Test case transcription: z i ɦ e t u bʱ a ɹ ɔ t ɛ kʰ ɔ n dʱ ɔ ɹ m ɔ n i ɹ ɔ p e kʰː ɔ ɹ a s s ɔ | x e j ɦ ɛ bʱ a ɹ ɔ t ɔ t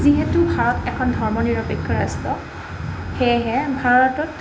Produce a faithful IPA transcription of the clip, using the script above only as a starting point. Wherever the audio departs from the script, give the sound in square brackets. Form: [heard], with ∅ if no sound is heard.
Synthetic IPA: z i ɦ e t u bʱ a ɹ ɔ t ɛ kʰ ɔ n dʱ ɔ ɹ m ɔ n i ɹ ɔ p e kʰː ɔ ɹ a s [t] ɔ | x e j ɦ ɛ bʱ a ɹ ɔ t ɔ t